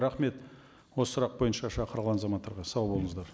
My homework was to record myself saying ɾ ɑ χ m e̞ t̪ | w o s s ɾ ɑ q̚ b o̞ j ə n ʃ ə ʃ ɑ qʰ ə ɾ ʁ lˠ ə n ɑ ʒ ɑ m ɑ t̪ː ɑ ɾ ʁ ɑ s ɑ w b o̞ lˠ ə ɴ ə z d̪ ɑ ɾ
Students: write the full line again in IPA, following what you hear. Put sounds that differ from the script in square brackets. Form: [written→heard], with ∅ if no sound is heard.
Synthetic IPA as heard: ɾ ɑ χ m e̞ t̪ | w o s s ɾ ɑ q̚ b o̞ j ə n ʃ [ə→ɑ] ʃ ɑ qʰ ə ɾ ʁ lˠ [ə→ɑ] n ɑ [ʒ→z] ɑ m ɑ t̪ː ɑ ɾ ʁ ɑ s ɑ w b o̞ lˠ ə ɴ ə z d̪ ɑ ɾ